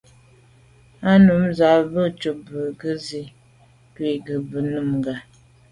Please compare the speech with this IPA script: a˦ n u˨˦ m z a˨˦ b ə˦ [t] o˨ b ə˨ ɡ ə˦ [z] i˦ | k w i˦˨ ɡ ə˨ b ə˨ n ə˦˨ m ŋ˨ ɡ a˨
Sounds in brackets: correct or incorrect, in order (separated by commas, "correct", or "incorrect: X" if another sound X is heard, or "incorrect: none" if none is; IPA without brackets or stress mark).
incorrect: t͡ʃ, correct